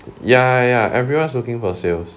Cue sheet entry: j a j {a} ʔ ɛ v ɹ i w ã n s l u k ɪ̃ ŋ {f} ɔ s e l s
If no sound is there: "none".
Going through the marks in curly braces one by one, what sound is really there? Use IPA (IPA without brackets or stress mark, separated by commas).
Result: a, f